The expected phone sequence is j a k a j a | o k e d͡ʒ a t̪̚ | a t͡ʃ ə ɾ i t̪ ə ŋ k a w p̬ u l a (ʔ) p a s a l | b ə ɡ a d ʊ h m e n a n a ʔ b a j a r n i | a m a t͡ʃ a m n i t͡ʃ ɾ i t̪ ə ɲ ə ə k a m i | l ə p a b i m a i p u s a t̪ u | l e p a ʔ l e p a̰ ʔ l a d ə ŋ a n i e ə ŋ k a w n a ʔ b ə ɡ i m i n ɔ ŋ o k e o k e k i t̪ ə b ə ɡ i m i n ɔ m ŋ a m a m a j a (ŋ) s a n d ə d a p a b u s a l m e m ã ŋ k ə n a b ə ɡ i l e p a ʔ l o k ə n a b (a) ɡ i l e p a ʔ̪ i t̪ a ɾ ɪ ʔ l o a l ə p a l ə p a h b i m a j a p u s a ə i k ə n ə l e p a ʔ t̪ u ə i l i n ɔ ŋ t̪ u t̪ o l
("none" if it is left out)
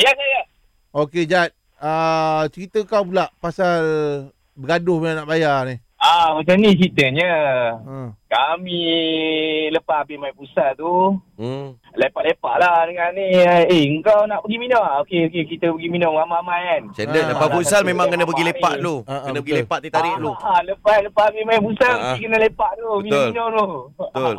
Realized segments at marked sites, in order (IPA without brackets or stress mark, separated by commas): ʔ, n, ə